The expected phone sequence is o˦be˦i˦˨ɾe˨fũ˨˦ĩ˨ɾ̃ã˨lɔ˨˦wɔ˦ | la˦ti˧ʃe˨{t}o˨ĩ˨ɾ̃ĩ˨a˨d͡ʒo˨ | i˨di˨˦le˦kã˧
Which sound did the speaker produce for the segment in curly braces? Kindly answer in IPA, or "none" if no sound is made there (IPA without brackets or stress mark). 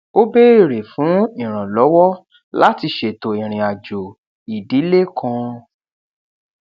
t